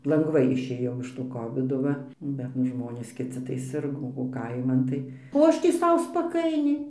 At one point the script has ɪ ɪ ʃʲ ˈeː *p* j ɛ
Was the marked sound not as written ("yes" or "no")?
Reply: yes